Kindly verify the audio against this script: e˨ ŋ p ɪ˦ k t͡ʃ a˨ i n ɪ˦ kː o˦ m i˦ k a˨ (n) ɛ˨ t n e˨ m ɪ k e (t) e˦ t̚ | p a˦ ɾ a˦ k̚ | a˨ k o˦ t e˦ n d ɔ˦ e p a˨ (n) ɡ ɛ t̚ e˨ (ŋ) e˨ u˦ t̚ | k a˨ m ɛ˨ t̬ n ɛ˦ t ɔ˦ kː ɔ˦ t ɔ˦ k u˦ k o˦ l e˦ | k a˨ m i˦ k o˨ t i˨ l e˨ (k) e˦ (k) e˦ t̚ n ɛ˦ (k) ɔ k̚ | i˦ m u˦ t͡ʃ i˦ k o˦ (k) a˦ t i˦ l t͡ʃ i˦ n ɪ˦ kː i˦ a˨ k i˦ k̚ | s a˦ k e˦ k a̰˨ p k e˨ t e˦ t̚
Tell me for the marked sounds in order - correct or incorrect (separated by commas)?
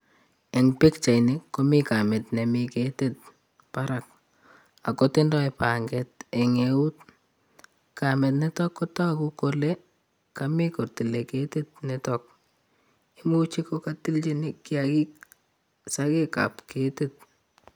incorrect, correct, incorrect, correct, correct, incorrect, incorrect, correct